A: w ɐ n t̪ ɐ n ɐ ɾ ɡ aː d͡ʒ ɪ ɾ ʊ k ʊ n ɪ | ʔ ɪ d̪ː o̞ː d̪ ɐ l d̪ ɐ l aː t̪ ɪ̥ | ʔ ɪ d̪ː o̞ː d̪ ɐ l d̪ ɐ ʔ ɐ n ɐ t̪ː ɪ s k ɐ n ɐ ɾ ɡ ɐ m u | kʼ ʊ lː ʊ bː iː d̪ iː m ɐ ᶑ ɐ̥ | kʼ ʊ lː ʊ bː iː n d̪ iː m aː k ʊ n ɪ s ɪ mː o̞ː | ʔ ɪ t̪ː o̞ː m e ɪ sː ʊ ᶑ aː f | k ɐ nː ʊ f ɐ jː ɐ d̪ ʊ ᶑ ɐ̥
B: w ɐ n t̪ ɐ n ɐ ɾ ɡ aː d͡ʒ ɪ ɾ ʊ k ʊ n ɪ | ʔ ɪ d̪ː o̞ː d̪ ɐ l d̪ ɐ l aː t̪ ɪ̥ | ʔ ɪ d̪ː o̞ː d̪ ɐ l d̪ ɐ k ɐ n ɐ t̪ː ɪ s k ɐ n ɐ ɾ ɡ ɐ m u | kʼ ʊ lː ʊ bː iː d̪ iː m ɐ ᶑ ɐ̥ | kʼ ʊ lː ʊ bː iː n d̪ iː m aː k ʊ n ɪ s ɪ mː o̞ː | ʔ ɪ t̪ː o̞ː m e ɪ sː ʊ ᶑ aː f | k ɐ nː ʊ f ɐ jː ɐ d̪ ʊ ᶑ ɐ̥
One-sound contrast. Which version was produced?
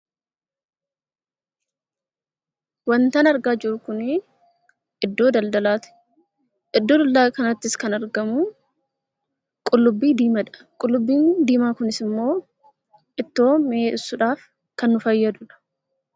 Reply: B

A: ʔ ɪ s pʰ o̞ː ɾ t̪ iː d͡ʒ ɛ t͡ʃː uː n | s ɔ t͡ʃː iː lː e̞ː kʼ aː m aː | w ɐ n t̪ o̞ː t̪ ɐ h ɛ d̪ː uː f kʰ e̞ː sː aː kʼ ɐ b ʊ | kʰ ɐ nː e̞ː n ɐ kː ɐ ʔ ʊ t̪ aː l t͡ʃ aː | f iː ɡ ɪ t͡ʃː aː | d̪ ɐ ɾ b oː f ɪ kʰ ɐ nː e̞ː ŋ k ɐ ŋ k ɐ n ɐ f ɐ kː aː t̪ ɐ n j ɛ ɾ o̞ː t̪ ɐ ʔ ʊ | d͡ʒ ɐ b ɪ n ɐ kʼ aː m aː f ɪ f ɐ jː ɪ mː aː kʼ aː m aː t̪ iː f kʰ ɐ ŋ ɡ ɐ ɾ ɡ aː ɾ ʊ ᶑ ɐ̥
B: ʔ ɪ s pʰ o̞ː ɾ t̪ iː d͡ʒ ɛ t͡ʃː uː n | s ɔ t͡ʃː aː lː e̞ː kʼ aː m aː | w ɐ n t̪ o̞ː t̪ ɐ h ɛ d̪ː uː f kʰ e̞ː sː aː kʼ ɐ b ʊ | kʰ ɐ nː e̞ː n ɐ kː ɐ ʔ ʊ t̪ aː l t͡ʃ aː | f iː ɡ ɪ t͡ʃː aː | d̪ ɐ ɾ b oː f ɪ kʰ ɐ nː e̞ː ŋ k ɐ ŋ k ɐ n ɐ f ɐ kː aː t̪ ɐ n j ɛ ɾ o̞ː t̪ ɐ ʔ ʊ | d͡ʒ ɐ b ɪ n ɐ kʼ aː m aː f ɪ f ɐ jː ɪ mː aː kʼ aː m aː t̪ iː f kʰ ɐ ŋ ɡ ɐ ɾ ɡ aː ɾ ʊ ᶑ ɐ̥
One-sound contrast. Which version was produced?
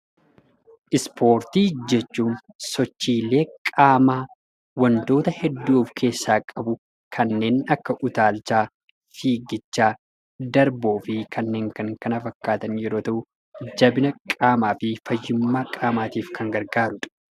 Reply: A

